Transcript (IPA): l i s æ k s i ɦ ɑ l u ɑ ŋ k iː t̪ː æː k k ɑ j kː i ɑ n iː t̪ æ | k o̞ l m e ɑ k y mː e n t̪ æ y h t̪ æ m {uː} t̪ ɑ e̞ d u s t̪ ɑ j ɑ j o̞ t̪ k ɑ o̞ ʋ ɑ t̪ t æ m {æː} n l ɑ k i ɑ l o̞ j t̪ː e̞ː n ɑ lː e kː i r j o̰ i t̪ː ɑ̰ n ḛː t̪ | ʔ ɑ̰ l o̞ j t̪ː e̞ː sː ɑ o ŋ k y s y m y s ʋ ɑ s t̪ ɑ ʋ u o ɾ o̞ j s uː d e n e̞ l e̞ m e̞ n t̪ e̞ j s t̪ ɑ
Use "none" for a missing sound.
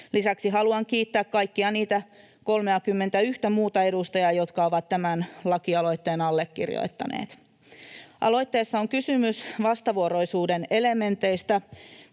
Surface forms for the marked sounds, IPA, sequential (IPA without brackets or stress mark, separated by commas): uː, æ